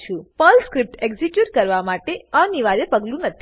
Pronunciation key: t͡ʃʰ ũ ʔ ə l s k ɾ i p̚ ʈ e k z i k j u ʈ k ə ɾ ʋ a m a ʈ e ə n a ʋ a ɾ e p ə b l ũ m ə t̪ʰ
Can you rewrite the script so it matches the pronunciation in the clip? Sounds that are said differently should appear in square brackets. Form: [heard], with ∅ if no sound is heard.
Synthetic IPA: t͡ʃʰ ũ [p] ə l s k ɾ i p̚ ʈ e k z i k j u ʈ k ə ɾ ʋ a m a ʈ e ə n [i] ʋ a ɾ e p ə [ɡ] l ũ [n] ə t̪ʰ